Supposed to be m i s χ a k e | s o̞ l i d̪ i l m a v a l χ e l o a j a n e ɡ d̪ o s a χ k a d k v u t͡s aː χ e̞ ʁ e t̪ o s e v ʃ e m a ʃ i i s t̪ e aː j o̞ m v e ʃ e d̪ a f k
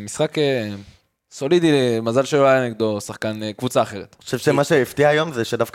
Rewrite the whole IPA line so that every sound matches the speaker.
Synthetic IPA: m i s χ a k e | s o̞ l i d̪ i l m a z a l ʃ e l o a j a n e ɡ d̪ o s a χ k a n k v u t͡s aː χ e̞ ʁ e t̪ o ʃ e v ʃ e m a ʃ e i f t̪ i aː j o̞ m z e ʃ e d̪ a f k